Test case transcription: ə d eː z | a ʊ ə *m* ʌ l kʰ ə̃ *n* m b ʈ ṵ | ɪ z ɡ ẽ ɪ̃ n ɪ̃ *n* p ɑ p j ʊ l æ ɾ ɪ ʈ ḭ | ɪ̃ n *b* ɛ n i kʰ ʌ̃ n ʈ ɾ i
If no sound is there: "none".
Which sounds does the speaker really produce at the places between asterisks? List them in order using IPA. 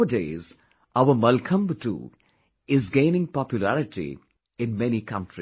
m, none, ŋ, m

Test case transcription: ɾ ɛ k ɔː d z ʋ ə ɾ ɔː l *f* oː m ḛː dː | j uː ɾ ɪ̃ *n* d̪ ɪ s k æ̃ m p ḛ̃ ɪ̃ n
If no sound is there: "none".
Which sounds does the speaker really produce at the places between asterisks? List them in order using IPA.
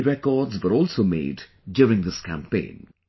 s, ŋ

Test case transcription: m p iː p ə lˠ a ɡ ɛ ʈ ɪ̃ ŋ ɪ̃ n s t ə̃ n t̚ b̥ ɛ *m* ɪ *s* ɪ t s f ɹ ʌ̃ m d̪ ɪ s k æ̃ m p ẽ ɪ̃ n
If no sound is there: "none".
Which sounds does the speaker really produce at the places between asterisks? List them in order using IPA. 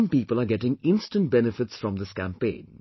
n, f

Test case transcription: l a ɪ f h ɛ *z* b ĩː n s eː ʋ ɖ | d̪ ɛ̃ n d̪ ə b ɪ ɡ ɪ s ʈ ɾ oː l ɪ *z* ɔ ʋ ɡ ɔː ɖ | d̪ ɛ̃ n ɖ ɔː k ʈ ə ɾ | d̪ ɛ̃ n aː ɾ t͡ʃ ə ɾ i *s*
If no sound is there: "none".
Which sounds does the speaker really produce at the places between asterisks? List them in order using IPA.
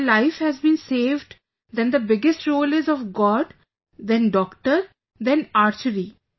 z, z, none

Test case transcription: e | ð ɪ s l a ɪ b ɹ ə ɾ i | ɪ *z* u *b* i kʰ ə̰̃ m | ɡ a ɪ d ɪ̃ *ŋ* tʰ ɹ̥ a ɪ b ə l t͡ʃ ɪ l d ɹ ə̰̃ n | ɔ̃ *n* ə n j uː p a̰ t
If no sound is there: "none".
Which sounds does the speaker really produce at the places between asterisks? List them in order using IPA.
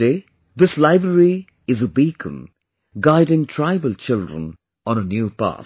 z, b, ŋ, n

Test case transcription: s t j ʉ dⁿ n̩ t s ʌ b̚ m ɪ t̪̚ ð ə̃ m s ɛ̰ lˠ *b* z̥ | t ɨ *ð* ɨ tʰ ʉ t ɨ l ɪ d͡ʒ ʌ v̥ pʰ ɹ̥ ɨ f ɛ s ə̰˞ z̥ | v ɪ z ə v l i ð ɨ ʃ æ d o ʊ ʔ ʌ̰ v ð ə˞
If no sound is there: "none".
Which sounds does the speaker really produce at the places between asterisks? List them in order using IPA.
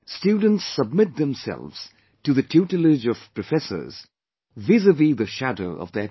v, ð

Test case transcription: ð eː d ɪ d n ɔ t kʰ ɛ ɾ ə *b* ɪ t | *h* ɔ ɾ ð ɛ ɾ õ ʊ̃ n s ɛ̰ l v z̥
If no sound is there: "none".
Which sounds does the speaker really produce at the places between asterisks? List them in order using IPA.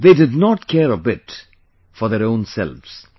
b, f

